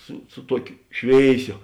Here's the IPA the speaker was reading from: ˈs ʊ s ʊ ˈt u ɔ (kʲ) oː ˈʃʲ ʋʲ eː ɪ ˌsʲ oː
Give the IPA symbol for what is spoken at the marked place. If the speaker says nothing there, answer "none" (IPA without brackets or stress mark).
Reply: kʲ